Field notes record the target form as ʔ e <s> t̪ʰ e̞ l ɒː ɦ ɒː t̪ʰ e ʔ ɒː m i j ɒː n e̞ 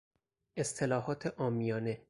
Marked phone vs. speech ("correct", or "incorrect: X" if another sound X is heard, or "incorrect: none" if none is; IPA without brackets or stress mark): correct